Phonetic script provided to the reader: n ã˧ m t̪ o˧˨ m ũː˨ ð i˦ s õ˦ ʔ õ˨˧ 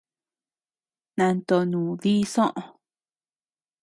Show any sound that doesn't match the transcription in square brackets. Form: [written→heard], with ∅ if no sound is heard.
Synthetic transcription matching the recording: n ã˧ [m→n] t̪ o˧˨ [m→n] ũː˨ ð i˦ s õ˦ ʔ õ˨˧